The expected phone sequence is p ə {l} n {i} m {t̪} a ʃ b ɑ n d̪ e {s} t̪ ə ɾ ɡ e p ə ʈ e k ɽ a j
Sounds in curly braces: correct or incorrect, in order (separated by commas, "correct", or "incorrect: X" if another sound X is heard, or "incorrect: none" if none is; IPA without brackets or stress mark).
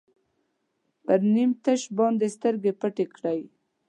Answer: incorrect: ɾ, correct, correct, correct